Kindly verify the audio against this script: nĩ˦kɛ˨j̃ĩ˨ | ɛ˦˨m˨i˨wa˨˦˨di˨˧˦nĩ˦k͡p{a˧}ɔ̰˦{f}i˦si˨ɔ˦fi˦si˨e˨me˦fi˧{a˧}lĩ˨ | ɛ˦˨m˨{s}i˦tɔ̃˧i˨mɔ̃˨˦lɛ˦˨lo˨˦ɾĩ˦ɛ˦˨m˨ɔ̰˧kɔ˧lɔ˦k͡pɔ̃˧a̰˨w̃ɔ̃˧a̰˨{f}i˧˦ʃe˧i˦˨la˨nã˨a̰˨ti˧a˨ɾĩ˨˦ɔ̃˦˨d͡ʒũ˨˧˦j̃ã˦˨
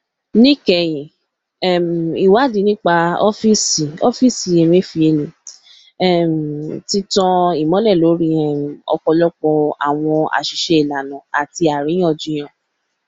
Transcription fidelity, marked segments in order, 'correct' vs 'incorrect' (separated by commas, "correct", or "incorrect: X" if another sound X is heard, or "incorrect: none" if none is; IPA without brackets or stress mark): correct, correct, incorrect: e˧, incorrect: t, incorrect: ʃ